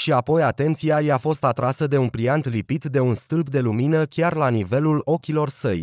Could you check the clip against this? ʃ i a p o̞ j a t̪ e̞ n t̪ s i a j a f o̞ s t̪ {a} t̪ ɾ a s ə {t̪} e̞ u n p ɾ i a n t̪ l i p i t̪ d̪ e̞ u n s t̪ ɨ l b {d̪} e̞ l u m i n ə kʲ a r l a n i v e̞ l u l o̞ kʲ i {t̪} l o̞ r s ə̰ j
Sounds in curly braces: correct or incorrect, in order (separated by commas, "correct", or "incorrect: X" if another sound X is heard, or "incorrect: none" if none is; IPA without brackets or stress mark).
correct, incorrect: d̪, correct, incorrect: none